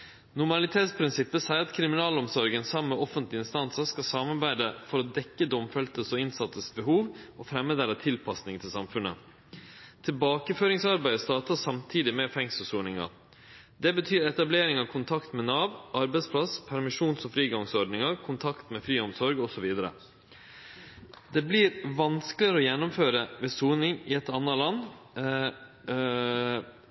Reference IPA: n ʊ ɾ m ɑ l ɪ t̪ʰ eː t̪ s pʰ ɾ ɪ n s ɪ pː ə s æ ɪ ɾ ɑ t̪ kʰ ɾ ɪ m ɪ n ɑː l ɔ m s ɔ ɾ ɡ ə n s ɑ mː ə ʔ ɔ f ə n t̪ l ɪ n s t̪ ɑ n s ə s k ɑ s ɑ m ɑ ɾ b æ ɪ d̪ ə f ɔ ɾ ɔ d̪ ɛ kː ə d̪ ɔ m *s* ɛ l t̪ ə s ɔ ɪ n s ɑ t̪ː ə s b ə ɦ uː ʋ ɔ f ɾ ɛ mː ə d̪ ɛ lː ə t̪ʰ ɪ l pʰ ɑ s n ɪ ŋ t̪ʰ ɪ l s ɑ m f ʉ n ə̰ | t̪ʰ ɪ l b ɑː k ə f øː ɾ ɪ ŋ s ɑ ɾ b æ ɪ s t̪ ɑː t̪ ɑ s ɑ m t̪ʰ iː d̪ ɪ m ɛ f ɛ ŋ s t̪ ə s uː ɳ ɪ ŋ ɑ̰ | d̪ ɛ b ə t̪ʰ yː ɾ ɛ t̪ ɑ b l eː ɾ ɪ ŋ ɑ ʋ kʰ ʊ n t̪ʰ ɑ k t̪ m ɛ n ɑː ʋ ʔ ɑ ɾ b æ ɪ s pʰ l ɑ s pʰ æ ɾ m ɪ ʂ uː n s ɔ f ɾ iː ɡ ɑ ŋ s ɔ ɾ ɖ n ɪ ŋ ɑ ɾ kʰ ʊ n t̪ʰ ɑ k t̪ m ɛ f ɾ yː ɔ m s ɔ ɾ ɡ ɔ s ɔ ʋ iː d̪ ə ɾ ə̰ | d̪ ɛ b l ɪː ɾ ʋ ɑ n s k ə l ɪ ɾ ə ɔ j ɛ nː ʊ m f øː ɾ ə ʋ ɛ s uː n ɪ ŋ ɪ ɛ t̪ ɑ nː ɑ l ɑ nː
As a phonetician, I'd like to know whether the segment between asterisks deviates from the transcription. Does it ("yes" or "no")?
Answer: yes